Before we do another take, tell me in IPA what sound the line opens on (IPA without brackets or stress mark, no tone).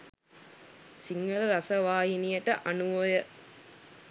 s